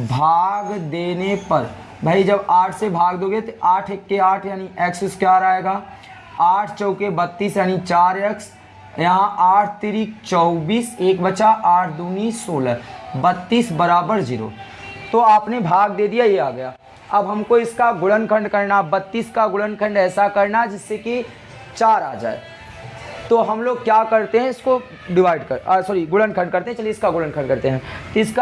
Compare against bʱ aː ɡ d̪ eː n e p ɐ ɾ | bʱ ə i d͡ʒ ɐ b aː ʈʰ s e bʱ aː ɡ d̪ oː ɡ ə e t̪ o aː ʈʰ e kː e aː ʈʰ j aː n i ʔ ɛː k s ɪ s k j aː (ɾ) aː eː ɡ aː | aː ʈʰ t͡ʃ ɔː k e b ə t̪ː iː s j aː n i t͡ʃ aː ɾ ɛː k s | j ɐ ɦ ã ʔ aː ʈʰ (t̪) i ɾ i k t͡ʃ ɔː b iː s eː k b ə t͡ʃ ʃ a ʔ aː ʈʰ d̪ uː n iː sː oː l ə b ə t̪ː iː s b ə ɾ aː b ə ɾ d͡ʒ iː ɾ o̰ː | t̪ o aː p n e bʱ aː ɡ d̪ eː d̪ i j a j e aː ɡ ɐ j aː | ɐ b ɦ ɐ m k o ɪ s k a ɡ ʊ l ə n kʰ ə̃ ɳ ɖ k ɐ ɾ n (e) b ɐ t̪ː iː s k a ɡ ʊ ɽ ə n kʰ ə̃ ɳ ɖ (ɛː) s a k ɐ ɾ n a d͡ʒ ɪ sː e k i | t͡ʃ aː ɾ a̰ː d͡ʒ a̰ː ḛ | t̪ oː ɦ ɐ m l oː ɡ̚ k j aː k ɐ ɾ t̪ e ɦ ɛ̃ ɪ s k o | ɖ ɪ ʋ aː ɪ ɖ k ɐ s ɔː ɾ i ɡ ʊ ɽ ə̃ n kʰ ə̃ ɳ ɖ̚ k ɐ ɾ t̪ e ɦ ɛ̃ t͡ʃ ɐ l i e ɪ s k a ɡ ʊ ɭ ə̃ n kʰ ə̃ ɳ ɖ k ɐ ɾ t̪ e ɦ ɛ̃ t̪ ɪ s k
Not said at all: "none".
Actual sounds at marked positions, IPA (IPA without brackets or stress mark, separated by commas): ɾ, t̪, a, ɛː